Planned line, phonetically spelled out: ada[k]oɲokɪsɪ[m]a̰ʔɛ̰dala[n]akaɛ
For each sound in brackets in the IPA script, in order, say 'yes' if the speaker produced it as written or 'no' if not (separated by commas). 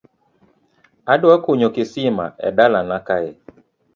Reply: yes, yes, yes